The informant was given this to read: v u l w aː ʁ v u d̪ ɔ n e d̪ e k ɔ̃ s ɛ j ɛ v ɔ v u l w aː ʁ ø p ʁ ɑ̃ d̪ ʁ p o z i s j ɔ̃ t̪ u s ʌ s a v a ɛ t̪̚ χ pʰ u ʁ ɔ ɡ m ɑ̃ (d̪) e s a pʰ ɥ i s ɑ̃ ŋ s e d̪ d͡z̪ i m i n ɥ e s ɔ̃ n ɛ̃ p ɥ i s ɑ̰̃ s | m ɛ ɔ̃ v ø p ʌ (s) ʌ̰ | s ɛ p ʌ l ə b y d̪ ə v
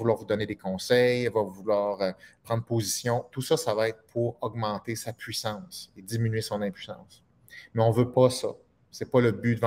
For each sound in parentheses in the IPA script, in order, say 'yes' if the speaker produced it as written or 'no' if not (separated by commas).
no, yes